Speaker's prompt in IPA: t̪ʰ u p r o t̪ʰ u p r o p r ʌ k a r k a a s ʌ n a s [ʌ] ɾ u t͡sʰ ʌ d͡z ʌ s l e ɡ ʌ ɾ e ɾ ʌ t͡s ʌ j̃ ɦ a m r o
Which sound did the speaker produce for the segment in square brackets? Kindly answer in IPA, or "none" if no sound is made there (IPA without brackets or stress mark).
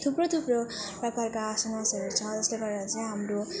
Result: ʌ